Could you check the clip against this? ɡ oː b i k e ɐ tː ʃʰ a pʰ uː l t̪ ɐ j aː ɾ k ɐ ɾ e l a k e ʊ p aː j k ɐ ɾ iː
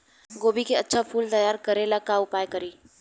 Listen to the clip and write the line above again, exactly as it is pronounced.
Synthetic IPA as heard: ɡ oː b i k e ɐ tː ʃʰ a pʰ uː l t̪ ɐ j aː ɾ k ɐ ɾ e l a k a ʊ p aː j k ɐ ɾ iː